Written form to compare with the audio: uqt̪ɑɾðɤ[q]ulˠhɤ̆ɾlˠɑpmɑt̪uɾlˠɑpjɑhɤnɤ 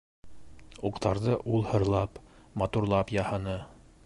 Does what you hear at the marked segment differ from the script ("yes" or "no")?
yes